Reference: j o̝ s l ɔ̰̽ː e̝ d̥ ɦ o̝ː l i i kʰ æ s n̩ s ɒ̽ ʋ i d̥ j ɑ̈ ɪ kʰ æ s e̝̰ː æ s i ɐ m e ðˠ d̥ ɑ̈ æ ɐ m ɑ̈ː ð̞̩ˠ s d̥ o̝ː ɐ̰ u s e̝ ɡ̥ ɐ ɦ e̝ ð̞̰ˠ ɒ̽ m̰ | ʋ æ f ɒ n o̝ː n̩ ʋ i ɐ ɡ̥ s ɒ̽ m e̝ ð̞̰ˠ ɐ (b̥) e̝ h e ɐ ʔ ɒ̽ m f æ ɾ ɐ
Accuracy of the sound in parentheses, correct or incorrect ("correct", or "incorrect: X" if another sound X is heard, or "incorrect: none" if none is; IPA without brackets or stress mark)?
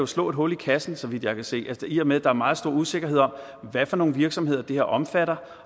incorrect: d̥